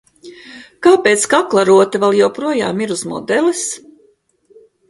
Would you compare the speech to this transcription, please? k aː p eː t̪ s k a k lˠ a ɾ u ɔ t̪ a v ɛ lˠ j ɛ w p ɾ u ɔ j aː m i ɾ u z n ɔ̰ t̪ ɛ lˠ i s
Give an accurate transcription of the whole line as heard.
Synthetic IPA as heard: k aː p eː t̪ s k a k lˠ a ɾ u ɔ t̪ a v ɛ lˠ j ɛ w p ɾ u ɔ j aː m i ɾ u z m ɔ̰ d̪ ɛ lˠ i s